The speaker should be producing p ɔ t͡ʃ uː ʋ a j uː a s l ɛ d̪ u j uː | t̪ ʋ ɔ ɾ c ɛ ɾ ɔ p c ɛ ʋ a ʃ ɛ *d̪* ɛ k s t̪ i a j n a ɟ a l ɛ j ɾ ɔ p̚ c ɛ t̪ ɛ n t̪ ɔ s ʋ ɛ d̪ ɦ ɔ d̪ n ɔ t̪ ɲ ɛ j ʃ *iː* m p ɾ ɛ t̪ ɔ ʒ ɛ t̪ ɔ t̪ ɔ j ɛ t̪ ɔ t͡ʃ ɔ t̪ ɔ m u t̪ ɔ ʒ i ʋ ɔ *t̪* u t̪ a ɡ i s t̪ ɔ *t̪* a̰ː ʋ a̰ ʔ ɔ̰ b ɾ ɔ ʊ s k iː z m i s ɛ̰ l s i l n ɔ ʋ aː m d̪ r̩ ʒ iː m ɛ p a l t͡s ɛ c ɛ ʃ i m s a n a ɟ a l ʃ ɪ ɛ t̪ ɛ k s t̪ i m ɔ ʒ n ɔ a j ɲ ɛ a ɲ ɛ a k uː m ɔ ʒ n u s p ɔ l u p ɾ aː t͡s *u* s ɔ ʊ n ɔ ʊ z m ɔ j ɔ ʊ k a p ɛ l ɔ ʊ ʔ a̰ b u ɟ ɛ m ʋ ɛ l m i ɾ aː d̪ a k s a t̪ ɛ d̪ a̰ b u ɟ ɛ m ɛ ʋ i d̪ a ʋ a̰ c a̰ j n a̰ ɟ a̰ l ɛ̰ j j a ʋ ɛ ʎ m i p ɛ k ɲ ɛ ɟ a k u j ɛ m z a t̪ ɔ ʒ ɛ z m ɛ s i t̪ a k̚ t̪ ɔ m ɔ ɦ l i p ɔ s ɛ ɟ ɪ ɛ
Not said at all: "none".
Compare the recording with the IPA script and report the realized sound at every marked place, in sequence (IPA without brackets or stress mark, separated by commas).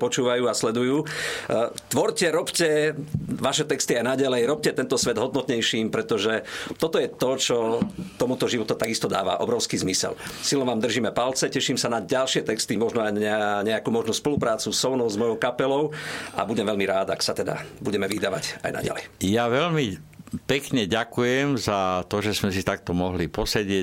t̪, iː, t̪, d̪, u